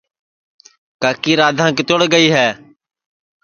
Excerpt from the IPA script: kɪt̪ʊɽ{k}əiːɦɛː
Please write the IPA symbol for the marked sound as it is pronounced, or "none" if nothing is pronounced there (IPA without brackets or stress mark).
ɡ